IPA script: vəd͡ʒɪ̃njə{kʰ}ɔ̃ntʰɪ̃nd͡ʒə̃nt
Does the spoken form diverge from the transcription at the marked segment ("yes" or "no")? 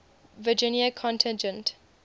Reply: no